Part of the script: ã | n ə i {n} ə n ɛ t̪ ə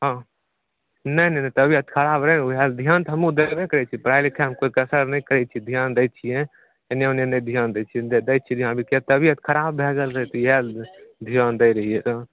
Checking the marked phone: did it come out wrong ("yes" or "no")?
no